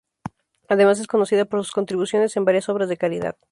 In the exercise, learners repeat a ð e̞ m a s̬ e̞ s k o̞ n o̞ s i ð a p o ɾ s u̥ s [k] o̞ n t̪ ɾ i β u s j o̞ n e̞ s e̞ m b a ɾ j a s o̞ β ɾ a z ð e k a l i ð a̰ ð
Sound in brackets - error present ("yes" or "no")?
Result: no